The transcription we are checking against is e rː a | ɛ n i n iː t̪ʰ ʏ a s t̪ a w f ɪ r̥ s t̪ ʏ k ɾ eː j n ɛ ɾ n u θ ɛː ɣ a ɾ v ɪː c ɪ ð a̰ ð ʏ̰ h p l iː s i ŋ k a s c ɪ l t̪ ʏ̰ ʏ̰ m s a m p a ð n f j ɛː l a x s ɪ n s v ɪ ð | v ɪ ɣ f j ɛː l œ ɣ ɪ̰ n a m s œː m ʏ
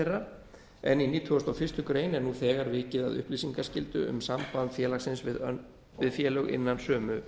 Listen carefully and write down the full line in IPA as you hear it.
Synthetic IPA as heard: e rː a | ɛ n i n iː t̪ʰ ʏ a s t̪ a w f ɪ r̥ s t̪ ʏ k ɾ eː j n ɛ ɾ n u θ ɛː ɣ a ɾ v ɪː c ɪ ð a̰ ð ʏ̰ h p l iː s i ŋ k a s c ɪ l t̪ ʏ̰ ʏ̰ m s a m p a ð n f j ɛː l a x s ɪ n s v ɪ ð | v ɪ ð f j ɛː l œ ɣ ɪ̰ nː a n s œː m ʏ